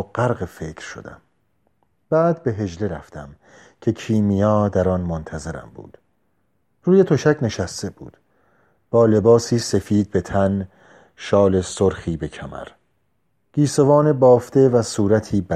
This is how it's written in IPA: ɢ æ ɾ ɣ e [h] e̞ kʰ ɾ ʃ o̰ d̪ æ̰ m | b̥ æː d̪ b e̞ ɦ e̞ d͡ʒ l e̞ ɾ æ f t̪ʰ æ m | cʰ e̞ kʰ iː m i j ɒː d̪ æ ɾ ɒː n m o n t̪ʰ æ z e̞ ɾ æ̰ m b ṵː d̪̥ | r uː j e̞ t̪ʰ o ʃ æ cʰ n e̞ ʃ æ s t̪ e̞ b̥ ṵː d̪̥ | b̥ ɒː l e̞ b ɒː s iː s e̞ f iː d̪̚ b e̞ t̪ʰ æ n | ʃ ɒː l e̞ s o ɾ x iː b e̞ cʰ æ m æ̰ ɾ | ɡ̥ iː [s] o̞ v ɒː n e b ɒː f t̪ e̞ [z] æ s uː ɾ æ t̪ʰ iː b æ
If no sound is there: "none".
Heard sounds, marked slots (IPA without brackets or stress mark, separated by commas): f, s, v